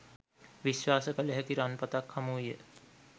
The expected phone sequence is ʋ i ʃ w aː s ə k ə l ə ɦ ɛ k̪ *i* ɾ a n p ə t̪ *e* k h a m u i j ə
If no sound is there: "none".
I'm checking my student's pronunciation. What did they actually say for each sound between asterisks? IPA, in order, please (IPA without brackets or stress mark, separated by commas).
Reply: i, a